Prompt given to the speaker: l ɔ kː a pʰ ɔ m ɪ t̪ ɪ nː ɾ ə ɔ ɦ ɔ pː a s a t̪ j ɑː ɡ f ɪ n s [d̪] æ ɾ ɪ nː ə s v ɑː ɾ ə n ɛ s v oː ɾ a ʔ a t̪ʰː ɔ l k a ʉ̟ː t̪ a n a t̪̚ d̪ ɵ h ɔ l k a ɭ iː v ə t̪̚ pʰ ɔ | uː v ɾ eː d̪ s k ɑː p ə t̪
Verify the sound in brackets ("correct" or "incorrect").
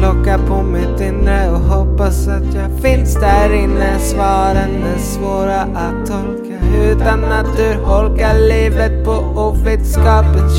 correct